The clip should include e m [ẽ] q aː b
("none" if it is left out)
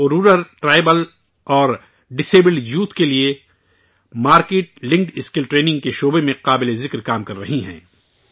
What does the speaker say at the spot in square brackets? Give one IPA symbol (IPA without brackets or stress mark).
ẽ